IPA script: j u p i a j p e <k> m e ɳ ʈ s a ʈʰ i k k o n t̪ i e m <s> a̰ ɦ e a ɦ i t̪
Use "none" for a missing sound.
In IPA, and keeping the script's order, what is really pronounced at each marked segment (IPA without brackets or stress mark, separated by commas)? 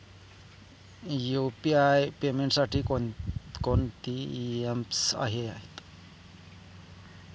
none, s